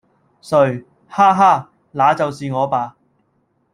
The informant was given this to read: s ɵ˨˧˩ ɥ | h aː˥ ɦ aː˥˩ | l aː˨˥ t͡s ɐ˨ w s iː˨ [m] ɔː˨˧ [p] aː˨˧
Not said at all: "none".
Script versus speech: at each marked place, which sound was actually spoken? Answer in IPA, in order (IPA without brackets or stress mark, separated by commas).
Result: ŋ, p